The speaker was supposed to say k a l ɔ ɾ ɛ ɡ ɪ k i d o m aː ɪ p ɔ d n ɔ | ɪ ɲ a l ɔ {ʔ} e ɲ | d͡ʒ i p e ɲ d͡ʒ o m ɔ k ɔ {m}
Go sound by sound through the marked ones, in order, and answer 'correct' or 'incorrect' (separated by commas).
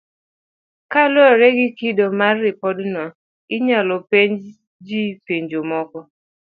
incorrect, incorrect